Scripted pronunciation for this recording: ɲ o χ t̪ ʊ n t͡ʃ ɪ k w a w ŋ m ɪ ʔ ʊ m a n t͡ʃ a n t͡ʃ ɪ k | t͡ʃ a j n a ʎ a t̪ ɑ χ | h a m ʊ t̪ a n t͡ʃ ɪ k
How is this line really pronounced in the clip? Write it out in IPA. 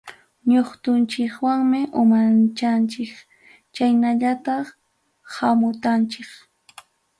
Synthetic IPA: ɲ o χ t̪ ʊ n t͡ʃ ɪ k w a ŋ m ɪ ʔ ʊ m a n t͡ʃ a n t͡ʃ ɪ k | t͡ʃ a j n a ʎ a t̪ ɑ χ | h a m ʊ t̪ a n t͡ʃ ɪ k

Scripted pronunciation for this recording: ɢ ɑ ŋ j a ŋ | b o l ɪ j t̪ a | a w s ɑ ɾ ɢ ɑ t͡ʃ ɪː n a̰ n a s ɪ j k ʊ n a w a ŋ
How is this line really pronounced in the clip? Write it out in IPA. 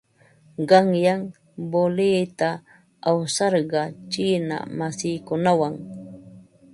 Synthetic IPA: ɢ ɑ ŋ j a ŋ | b o l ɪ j t̪ a | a w s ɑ ɾ ɢ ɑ t͡ʃ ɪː n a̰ m a s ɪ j k ʊ n a w a ŋ

